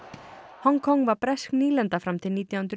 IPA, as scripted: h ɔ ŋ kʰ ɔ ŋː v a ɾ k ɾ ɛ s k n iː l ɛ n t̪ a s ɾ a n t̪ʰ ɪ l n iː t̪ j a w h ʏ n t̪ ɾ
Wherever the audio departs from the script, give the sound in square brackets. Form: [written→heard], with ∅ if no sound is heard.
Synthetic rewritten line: h ɔ ŋ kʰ ɔ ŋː v a ɾ [k→p] ɾ ɛ s k n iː l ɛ n t̪ a [s→f] ɾ a [n→m] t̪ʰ ɪ l n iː t̪ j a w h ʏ n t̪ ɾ